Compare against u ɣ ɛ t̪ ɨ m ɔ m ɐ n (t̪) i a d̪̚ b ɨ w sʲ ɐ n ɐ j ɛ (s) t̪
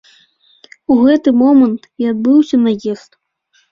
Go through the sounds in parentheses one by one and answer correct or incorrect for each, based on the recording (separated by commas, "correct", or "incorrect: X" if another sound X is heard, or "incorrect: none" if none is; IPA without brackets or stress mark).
correct, correct